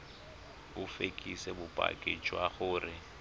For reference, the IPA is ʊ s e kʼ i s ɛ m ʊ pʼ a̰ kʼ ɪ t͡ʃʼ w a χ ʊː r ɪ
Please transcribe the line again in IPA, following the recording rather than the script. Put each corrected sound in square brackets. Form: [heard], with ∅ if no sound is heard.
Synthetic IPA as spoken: ʊ [f] e kʼ i s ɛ [b] ʊ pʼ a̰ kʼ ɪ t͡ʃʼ w a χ ʊː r ɪ